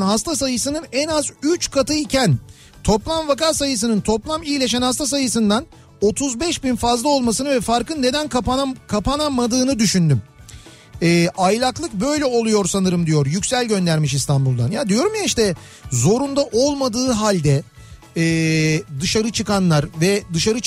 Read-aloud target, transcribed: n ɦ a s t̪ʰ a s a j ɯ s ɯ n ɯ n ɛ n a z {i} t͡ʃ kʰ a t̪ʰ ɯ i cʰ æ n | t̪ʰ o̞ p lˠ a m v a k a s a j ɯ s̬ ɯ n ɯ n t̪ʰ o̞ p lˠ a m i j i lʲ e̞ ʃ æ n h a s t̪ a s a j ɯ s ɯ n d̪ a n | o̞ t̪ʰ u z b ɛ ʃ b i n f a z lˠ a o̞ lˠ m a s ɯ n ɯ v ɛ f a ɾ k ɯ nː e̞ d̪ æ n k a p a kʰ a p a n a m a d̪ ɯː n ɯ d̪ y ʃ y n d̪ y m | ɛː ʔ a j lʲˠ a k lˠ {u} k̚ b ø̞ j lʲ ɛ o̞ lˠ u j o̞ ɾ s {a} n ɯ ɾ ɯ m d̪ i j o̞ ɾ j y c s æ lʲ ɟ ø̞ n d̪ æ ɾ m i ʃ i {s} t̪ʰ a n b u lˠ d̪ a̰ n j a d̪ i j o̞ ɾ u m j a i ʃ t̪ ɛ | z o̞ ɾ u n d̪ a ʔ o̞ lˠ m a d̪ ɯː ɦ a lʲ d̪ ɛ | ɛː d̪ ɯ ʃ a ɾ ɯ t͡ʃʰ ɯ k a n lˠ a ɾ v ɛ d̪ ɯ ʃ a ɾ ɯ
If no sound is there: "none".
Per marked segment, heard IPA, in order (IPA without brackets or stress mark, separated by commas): y, ɯ, a, s